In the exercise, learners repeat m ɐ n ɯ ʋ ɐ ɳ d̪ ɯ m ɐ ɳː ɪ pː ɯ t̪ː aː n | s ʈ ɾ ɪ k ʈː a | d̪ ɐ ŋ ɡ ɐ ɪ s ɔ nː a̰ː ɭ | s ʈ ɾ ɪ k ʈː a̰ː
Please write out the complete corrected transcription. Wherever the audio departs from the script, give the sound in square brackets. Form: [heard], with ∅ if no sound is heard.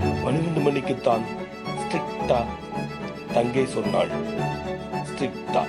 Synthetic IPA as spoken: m ɐ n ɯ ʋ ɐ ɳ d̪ ɯ m ɐ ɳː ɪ [kː] ɯ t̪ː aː n | s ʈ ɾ ɪ k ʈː a | [t̪] ɐ ŋ ɡ ɐ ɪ s ɔ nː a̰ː ɭ | s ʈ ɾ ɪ k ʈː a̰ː